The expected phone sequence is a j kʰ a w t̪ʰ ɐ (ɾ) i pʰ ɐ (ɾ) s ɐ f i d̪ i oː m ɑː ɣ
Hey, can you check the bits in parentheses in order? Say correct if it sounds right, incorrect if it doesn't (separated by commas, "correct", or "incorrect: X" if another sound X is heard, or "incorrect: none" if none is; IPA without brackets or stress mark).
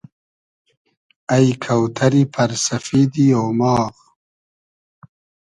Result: correct, correct